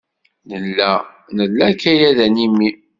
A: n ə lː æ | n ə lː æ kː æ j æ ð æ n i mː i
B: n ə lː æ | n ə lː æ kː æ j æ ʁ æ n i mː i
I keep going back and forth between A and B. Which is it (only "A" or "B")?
A